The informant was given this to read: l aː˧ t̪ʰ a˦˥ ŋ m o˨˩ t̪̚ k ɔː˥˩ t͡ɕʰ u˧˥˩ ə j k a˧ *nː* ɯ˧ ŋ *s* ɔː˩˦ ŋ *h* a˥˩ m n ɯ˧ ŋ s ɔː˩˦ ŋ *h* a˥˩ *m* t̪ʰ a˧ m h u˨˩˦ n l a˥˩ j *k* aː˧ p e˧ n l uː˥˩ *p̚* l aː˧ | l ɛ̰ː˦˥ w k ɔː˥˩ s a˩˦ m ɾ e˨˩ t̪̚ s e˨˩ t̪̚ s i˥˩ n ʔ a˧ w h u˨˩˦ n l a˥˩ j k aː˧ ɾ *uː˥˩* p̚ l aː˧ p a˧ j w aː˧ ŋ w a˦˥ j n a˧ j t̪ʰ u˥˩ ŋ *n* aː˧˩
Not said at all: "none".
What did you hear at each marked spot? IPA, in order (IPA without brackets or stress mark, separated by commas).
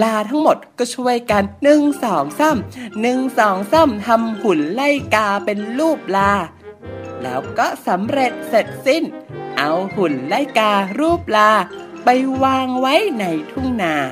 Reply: nː, s, s, s, m, k, p̚, uː˥˩, n